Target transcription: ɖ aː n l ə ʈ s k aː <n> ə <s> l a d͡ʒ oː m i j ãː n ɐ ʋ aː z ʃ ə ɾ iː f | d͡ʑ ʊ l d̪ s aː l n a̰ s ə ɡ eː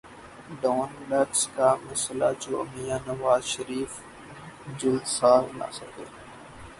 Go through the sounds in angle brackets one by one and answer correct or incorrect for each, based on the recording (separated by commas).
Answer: incorrect, correct